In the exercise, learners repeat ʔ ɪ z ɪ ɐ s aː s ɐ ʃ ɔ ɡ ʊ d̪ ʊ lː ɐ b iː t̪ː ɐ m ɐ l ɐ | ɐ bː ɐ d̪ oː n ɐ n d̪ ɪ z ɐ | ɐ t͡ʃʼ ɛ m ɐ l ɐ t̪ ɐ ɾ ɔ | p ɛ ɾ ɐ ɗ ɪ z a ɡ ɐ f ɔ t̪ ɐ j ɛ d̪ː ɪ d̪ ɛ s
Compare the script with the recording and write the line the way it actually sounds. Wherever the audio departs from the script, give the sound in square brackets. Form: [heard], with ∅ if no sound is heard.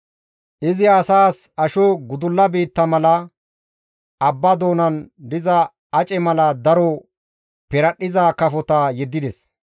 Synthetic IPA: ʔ ɪ z ɪ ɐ s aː s ɐ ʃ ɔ ɡ ʊ d̪ ʊ lː ɐ b iː t̪ː ɐ m ɐ l ɐ | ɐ bː ɐ d̪ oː n ɐ n d̪ ɪ z ɐ | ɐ t͡ʃʼ ɛ m ɐ l ɐ [d̪] ɐ ɾ ɔ | p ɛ ɾ ɐ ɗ ɪ z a [k] ɐ f ɔ t̪ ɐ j ɛ d̪ː ɪ d̪ ɛ s